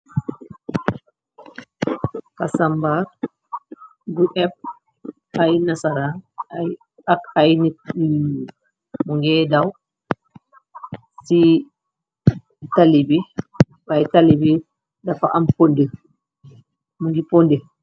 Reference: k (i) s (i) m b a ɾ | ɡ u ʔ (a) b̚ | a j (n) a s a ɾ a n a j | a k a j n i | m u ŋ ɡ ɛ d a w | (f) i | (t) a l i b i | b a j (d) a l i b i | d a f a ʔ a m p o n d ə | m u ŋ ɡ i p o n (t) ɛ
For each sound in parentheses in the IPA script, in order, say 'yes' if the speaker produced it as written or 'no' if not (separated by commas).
no, no, no, yes, no, yes, no, no